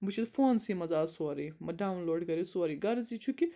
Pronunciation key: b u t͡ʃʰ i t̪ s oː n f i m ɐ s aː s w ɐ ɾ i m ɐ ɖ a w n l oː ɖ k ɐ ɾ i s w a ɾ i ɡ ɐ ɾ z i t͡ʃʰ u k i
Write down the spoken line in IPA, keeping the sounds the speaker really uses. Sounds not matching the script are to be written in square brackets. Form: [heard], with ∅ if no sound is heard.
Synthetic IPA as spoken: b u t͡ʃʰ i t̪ [f] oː n [s] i m ɐ [z] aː s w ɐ ɾ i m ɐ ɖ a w n l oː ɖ [ɡ] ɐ ɾ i s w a ɾ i ɡ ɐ ɾ z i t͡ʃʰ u k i

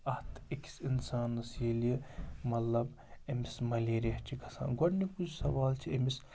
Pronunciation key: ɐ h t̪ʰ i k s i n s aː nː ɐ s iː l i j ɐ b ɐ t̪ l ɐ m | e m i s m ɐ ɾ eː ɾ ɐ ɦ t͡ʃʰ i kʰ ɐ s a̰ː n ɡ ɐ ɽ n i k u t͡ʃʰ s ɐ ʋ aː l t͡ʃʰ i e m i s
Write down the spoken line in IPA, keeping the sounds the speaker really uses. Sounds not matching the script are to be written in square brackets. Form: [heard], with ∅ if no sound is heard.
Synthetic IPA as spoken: ɐ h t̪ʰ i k s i n s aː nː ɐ s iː l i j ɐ [m] ɐ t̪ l ɐ [b] | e m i s m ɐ [l] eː ɾ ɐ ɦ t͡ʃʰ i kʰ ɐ s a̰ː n ɡ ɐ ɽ n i k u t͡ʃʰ s ɐ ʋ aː l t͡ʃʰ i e m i s

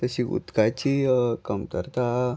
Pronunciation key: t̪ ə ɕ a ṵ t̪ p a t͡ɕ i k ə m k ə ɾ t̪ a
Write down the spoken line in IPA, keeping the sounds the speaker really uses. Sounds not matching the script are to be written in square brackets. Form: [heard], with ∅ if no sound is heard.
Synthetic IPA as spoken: t̪ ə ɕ [i] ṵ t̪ [k] a t͡ɕ i k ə m k ə ɾ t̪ a

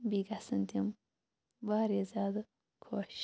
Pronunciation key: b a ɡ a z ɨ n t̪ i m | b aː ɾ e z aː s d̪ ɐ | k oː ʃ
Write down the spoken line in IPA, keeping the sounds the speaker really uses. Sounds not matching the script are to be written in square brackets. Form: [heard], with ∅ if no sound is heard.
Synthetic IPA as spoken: b [i] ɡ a [s] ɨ n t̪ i m | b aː ɾ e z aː [∅] d̪ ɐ | [kʰ] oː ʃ

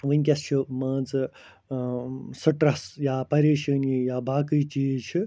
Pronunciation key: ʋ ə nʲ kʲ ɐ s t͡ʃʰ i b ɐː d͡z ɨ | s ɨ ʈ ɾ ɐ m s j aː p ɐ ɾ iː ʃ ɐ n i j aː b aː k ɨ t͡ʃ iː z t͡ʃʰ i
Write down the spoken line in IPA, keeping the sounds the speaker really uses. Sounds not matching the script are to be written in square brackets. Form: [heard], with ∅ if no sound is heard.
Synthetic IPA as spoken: ʋ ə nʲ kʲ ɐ s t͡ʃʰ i [m] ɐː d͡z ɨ | s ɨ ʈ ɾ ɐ [∅] s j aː p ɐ ɾ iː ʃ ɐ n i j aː b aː k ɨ t͡ʃ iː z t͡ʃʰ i

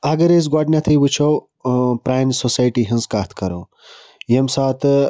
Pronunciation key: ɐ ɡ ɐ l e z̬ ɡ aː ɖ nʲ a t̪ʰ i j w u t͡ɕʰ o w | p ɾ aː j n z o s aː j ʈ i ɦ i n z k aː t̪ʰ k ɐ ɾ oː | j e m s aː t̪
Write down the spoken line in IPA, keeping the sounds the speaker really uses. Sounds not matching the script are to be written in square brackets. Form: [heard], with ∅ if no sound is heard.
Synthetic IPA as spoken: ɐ ɡ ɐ [ɾ] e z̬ ɡ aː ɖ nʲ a t̪ʰ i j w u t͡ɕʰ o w | p ɾ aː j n [s] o s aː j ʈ i ɦ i n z k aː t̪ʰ k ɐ ɾ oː | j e m s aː t̪

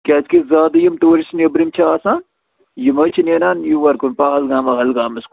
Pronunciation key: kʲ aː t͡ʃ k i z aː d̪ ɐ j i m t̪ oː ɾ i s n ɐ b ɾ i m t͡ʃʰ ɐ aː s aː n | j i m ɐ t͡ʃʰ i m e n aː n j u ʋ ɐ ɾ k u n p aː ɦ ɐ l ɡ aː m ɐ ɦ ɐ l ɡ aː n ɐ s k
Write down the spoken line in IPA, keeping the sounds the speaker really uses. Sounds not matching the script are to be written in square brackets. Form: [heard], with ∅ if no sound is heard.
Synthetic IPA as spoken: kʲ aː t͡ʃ k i z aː d̪ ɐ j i m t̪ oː ɾ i s n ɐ b ɾ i m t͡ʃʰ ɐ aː s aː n | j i m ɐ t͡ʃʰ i [n] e n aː n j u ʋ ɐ ɾ k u n p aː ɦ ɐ l ɡ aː m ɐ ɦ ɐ l ɡ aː [m] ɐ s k

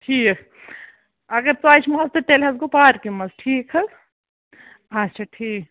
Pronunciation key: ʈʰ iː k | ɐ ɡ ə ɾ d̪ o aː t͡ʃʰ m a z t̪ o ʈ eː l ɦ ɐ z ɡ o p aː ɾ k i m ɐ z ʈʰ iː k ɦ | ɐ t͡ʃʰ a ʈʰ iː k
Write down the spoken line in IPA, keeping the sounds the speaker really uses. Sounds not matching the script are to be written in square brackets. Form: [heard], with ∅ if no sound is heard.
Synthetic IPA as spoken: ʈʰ iː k | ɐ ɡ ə ɾ [t̪] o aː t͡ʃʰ m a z t̪ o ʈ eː l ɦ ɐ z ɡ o p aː ɾ k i m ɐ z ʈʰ iː k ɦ | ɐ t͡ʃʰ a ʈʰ iː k

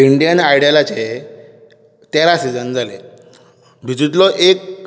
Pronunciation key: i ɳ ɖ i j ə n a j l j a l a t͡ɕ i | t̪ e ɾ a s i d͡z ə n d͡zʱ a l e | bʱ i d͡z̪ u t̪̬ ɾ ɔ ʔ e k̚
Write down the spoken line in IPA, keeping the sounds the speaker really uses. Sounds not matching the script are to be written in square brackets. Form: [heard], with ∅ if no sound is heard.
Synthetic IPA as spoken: i ɳ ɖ i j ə n a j [ɽ] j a l a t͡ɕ [e] | t̪ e ɾ a s i d͡z ə n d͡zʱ a l e | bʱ i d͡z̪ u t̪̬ [l] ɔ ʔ e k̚

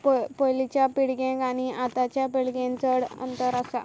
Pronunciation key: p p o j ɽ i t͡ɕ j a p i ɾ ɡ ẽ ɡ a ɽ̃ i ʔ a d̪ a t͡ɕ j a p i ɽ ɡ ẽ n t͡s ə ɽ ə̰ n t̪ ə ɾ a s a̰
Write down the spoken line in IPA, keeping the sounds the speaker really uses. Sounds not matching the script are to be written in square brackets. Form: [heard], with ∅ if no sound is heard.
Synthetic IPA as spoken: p p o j [l] i t͡ɕ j a p i [ɽ] ɡ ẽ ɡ a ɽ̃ i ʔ a [t̪] a t͡ɕ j a p i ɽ ɡ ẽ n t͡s ə ɽ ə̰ n t̪ ə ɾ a s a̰

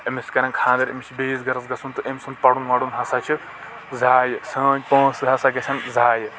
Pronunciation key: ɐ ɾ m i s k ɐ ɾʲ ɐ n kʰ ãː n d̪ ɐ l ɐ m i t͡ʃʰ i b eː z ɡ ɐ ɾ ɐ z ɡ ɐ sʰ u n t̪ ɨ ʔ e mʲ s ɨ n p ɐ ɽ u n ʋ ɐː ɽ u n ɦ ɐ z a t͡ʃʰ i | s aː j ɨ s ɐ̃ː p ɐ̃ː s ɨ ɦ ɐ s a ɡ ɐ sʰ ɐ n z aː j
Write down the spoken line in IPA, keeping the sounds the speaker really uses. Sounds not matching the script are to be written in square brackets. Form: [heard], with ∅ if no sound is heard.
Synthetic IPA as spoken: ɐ [∅] m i s k ɐ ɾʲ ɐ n kʰ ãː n d̪ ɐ [ɾ] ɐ m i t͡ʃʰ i b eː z ɡ ɐ ɾ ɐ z ɡ ɐ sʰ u n t̪ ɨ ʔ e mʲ s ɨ n p ɐ ɽ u n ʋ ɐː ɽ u n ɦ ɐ [s] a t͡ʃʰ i | [z] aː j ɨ s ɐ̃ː p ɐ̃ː s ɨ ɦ ɐ s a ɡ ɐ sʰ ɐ n z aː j

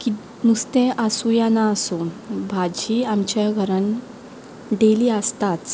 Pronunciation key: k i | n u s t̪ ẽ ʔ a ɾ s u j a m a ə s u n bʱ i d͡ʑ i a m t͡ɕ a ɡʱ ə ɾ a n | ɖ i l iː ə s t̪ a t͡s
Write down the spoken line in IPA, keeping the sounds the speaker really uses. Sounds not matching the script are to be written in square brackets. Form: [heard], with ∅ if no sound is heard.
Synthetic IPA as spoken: k i | n u s t̪ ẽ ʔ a [∅] s u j a [n] a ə s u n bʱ [a] d͡ʑ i a m t͡ɕ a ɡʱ ə ɾ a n | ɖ [e] l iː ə s t̪ a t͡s

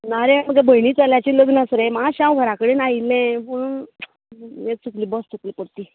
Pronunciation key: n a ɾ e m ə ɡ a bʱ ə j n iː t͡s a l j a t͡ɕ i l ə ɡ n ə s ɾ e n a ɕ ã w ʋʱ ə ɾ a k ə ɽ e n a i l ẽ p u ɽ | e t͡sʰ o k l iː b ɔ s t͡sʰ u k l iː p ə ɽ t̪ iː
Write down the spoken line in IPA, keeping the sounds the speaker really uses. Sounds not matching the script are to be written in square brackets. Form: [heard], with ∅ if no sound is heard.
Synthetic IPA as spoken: n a ɾ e m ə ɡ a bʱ ə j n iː t͡s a l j a t͡ɕ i l ə ɡ n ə s ɾ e [m] a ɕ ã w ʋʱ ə ɾ a k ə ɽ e n a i l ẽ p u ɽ | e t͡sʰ [u] k l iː b ɔ s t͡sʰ u k l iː p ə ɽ t̪ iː

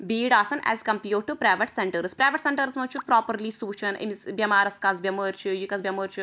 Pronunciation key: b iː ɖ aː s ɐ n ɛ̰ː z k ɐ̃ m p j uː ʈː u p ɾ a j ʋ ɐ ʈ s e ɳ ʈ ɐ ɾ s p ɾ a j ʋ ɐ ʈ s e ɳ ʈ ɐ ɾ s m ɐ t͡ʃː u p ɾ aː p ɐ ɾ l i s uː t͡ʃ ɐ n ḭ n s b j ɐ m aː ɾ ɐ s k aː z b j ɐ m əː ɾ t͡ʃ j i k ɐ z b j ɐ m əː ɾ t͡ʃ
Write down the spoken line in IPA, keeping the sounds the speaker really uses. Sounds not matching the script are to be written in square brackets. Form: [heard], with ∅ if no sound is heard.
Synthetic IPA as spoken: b iː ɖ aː s ɐ n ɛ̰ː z k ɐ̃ m p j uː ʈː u p ɾ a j ʋ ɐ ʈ s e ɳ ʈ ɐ ɾ s p ɾ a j ʋ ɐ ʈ s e ɳ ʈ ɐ ɾ s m ɐ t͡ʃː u p ɾ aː p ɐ ɾ l i s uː t͡ʃ ɐ n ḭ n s b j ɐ m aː ɾ ɐ s k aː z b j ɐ m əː ɾ t͡ʃ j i k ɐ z b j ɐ m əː ɾ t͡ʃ

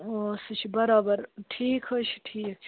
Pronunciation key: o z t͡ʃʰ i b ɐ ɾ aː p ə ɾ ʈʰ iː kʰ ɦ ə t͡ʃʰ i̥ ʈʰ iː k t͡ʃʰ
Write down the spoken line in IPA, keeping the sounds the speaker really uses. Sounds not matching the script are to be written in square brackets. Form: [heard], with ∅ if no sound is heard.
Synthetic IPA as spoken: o [s] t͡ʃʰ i b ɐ ɾ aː [b] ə ɾ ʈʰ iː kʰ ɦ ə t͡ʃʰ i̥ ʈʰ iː k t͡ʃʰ

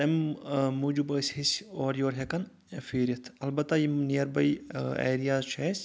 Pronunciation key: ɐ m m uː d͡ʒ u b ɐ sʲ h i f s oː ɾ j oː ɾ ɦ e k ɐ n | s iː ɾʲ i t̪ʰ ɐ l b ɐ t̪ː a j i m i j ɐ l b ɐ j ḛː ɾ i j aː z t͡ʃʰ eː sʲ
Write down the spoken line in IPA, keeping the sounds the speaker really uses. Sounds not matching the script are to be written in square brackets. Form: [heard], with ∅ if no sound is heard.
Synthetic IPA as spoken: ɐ m m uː d͡ʒ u b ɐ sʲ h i [∅] s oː ɾ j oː ɾ ɦ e k ɐ n | [f] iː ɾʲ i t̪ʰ ɐ l b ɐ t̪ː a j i [n] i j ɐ [ɾ] b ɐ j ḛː ɾ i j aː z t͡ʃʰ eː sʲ

